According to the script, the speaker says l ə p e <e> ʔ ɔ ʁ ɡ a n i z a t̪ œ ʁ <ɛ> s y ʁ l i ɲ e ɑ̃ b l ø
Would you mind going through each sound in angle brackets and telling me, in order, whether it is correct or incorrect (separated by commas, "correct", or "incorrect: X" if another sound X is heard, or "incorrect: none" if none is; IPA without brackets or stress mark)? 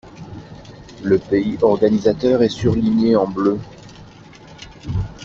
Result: incorrect: i, correct